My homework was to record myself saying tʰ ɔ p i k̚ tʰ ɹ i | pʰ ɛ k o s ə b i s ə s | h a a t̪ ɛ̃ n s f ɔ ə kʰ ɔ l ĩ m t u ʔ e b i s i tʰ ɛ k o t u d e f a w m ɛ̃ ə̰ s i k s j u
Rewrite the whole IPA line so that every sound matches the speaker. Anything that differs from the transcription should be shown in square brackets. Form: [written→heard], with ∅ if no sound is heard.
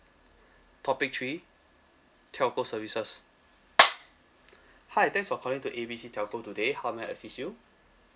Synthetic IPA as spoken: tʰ ɔ p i k̚ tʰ ɹ i | [pʰ→tʰ] ɛ k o s ə [b→v] i s ə s | h a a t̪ ɛ̃ [n→ŋ] s f ɔ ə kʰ ɔ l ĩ [m→ŋ] t u ʔ e b i s i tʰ ɛ k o t u d e [f→h] a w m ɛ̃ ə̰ s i [k→∅] s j u